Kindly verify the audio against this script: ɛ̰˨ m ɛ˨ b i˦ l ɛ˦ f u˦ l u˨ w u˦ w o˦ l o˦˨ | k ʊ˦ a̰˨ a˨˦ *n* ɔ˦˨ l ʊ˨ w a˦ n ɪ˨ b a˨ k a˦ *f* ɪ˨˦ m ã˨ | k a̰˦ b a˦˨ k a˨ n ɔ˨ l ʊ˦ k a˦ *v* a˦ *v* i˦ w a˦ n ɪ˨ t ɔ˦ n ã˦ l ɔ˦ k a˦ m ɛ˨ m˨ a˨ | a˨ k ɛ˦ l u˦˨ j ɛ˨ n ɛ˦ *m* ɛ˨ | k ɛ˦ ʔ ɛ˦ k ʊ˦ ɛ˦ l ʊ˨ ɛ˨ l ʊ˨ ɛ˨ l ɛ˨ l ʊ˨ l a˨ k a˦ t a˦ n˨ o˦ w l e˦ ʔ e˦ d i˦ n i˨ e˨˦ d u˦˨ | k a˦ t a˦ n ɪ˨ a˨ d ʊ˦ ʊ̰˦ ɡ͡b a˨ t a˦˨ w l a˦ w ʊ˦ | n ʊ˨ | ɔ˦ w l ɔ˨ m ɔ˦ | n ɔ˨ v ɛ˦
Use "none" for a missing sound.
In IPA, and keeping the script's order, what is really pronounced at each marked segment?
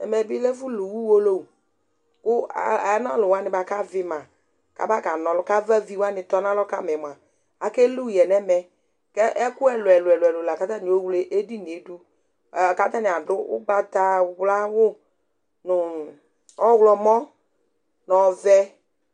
n, v, v, v, m

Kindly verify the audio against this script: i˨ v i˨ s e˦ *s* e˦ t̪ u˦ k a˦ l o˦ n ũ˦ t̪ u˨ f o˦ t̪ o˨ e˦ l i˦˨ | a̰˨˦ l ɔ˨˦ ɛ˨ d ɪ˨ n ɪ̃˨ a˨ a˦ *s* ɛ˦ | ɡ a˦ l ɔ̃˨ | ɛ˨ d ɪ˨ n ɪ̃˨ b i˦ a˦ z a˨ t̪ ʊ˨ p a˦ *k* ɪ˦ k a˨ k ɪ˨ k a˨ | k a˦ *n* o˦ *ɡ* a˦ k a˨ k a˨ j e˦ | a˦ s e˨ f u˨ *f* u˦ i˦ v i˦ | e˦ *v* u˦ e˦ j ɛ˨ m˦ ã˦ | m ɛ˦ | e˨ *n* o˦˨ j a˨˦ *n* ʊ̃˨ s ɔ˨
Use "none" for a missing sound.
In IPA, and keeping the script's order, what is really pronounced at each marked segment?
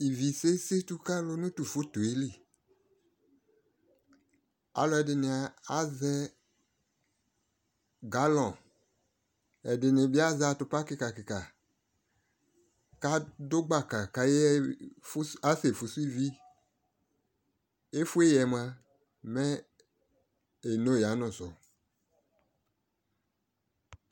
s, z, k, d, ɡ͡b, s, f, n, n

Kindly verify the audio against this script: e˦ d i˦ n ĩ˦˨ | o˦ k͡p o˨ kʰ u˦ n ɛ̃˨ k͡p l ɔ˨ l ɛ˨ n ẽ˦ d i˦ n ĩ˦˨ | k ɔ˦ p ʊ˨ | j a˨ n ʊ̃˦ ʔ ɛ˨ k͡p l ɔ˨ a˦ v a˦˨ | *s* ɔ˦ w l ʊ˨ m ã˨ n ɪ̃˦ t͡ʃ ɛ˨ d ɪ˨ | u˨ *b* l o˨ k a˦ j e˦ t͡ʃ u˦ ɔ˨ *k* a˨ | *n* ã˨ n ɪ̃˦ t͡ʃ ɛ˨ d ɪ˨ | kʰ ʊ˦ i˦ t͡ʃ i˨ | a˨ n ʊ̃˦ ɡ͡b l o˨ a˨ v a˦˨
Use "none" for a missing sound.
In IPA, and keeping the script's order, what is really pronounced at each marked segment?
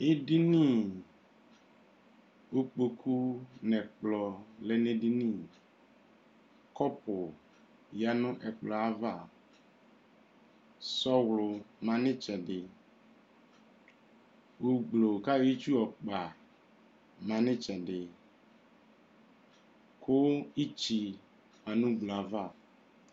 s, ɡ͡b, k͡p, m

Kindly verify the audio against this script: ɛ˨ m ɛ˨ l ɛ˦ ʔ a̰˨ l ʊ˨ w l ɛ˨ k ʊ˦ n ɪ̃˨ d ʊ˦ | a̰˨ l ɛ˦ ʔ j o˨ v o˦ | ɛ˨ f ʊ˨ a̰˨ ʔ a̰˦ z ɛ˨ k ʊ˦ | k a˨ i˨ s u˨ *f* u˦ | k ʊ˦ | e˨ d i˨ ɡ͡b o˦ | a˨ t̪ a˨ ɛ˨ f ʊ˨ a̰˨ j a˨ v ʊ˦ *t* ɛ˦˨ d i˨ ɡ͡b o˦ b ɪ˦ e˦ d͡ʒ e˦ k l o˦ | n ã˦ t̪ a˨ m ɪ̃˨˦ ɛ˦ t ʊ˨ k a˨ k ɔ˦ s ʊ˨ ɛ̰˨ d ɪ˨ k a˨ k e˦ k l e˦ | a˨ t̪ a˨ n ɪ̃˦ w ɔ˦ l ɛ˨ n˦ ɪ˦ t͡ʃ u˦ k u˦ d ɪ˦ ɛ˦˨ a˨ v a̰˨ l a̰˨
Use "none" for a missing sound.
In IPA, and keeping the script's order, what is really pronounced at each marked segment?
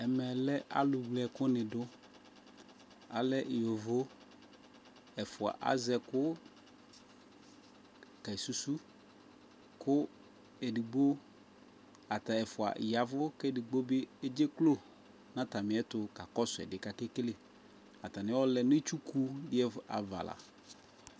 s, k

